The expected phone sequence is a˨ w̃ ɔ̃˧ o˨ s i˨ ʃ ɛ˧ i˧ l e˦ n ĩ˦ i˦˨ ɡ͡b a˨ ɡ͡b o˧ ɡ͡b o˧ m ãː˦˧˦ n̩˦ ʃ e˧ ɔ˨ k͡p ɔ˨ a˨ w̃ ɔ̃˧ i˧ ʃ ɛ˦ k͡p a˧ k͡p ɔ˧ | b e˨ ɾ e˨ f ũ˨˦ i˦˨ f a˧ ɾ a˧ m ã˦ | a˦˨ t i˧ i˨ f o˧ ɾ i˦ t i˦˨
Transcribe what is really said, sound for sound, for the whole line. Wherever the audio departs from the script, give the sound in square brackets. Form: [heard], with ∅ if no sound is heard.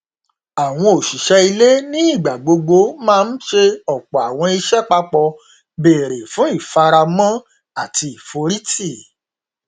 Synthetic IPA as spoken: a˨ w̃ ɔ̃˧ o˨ [ʃ] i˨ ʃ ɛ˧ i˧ l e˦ n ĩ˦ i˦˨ ɡ͡b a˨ ɡ͡b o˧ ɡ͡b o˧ m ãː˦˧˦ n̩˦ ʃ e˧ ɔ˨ k͡p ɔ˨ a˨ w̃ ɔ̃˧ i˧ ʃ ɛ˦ k͡p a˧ k͡p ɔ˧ | b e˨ ɾ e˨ f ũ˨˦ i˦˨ f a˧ ɾ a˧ m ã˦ | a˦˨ t i˧ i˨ f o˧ ɾ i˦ t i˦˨